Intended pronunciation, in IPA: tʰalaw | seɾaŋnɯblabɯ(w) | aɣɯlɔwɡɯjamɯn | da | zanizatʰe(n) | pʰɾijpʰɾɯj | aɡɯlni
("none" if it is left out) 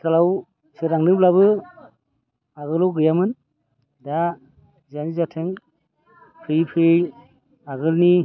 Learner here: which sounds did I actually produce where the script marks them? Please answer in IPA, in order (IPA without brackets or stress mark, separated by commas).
none, ŋ